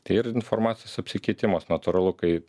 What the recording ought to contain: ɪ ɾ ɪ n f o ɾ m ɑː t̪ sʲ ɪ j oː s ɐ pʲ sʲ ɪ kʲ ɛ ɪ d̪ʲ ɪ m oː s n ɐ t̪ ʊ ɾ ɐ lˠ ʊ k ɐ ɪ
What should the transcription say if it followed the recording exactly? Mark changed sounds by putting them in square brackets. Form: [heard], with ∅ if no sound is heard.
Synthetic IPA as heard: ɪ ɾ ɪ n f o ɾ m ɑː t̪ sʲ ɪ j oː s ɐ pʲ sʲ ɪ kʲ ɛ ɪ [t̪ʲ] ɪ m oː s n ɐ t̪ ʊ ɾ ɐ lˠ ʊ k ɐ ɪ